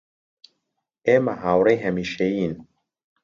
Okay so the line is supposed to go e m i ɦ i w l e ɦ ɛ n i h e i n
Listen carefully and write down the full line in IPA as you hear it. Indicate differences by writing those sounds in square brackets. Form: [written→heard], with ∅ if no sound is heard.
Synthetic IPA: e m [i→a] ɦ [i→a] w [l→ɾ] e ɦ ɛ [n→m] i [h→ʃ] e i n